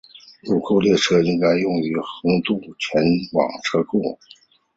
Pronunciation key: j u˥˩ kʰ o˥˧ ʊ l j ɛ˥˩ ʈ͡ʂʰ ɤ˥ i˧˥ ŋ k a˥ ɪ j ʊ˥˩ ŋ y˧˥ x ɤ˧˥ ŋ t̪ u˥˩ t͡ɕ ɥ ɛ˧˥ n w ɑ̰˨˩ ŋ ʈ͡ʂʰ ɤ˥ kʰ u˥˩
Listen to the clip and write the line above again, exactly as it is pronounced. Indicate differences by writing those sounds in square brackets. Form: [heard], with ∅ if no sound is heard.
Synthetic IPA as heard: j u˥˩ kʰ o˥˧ ʊ l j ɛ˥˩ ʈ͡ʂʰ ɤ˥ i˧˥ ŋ k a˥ ɪ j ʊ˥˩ ŋ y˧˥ x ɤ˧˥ ŋ t̪ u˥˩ [t͡ɕʰ] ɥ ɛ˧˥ n w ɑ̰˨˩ ŋ ʈ͡ʂʰ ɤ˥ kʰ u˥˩